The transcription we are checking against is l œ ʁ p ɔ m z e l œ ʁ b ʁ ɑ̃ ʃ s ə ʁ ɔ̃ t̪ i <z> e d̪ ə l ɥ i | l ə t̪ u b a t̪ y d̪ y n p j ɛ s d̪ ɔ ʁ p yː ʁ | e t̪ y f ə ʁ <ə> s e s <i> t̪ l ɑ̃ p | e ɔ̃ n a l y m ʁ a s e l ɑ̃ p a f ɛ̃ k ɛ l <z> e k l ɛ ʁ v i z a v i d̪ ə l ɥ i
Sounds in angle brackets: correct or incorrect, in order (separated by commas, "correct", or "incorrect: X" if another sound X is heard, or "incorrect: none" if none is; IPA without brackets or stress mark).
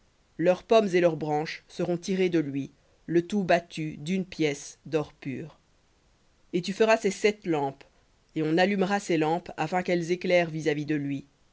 incorrect: ʁ, incorrect: a, incorrect: ɛ, correct